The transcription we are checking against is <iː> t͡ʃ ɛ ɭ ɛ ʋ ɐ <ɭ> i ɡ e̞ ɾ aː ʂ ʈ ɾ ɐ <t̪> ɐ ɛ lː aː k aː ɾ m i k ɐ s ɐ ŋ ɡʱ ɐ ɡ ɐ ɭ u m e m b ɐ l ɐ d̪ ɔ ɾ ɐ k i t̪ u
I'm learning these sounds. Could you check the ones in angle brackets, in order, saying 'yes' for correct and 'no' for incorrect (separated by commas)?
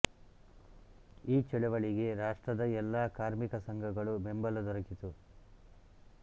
yes, yes, no